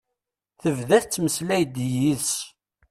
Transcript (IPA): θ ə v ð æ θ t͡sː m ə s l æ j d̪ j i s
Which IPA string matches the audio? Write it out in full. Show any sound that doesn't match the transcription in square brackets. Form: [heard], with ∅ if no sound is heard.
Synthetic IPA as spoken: θ ə v ð æ θ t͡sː m ə s l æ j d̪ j i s